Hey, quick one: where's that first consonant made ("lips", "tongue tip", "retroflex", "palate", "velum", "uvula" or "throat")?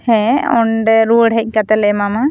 throat